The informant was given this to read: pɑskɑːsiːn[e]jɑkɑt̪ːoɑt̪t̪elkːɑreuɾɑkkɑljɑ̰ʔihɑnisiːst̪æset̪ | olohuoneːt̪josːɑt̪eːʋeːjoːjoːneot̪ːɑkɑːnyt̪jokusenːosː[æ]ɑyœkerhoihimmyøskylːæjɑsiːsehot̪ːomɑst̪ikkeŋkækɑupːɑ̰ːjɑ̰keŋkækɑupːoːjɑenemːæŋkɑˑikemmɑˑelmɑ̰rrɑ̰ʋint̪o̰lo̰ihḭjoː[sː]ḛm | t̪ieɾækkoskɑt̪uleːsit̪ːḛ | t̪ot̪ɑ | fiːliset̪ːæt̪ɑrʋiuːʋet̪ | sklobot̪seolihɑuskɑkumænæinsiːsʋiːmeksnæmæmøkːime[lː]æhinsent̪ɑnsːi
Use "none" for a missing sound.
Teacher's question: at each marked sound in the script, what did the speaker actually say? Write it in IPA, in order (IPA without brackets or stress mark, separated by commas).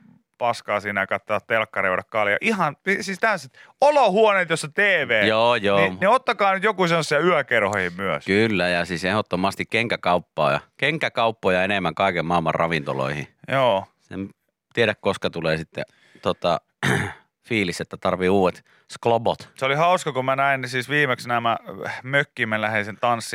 æ, i, s, l